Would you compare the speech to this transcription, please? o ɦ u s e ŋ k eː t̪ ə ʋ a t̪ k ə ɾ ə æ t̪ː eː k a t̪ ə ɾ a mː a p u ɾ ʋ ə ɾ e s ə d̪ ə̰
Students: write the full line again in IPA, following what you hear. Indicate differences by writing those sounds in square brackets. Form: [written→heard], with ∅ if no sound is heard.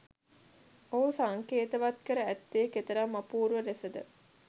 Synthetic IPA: o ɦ u s [e→a] ŋ k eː t̪ ə ʋ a t̪ k ə ɾ ə æ t̪ː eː k [a→e] t̪ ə ɾ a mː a p [u→uː] ɾ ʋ ə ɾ e s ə d̪ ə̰